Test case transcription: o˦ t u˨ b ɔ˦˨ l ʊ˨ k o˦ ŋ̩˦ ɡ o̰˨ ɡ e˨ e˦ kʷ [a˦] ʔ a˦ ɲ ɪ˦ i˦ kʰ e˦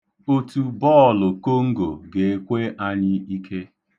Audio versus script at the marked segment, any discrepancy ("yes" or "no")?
yes